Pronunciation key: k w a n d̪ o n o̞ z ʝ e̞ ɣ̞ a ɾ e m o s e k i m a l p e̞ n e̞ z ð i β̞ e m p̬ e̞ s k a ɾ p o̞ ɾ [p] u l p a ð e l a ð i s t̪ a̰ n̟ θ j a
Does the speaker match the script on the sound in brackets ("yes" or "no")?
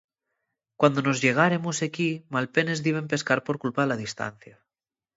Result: no